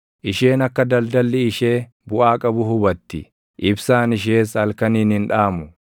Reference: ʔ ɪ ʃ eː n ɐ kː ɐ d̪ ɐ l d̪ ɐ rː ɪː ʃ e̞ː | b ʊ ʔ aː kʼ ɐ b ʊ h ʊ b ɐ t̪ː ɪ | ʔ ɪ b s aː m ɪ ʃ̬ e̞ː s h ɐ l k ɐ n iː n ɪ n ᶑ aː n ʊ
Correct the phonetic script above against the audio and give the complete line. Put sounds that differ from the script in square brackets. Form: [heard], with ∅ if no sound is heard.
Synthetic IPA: ʔ ɪ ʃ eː n ɐ kː ɐ d̪ ɐ l d̪ ɐ [lː] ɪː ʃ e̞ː | b ʊ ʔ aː kʼ ɐ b ʊ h ʊ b ɐ t̪ː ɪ | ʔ ɪ b s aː [n] ɪ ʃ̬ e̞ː s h ɐ l k ɐ n iː n ɪ n ᶑ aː [m] ʊ

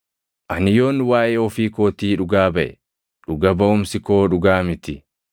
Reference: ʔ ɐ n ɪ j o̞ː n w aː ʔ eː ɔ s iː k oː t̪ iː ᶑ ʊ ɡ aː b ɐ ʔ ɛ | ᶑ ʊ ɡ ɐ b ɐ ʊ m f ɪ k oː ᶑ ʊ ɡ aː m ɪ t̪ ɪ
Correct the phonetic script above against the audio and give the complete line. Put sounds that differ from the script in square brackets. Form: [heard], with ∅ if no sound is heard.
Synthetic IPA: ʔ ɐ n ɪ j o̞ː n w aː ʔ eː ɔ [f] iː k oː t̪ iː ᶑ ʊ ɡ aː b ɐ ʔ ɛ | ᶑ ʊ ɡ ɐ b ɐ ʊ m [s] ɪ k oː ᶑ ʊ ɡ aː m ɪ t̪ ɪ

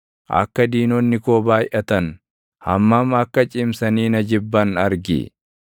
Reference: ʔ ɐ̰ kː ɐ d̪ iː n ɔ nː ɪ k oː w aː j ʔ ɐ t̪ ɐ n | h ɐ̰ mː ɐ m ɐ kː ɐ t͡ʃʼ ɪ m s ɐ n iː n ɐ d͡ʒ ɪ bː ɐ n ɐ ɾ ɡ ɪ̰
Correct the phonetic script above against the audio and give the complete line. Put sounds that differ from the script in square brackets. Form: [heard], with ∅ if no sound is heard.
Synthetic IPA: ʔ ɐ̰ kː ɐ d̪ iː n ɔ nː ɪ k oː [b] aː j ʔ ɐ t̪ ɐ n | h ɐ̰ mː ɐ m ɐ kː ɐ t͡ʃʼ ɪ m s ɐ n iː n ɐ d͡ʒ ɪ bː ɐ n ɐ ɾ ɡ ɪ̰

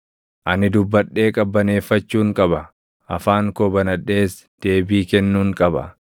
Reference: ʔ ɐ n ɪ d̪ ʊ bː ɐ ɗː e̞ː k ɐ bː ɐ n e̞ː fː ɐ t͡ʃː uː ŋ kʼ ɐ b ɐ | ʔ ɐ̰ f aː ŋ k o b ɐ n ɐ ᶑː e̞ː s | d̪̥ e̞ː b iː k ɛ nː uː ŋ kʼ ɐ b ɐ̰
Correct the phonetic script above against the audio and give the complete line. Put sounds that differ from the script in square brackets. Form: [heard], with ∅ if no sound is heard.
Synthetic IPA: ʔ ɐ n ɪ d̪ ʊ bː ɐ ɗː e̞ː [kʼ] ɐ bː ɐ n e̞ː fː ɐ t͡ʃː uː ŋ kʼ ɐ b ɐ | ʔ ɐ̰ f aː ŋ k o b ɐ n ɐ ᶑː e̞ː s | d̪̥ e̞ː b iː k ɛ nː uː ŋ kʼ ɐ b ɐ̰

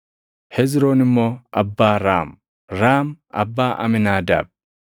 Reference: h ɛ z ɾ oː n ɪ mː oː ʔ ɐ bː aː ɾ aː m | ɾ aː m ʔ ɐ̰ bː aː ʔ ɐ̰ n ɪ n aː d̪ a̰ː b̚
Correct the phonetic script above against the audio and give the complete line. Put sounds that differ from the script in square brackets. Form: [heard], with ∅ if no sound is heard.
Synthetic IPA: h ɛ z ɾ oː n ɪ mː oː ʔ ɐ bː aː ɾ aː m | ɾ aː m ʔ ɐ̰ bː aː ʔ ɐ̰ [m] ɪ n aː d̪ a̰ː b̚

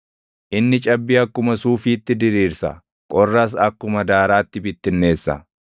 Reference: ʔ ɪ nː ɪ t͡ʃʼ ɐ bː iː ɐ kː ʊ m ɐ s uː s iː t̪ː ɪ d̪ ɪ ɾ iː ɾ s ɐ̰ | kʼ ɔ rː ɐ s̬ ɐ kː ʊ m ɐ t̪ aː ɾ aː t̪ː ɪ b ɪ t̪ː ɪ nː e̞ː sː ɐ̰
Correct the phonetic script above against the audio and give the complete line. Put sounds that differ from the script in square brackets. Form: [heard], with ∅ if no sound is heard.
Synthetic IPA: ʔ ɪ nː ɪ t͡ʃʼ ɐ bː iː ɐ kː ʊ m ɐ s uː [f] iː t̪ː ɪ d̪ ɪ ɾ iː ɾ s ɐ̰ | kʼ ɔ rː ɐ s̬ ɐ kː ʊ m ɐ [d̪] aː ɾ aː t̪ː ɪ b ɪ t̪ː ɪ nː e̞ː sː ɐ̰

